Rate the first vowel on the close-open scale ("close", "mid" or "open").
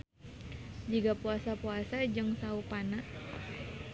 close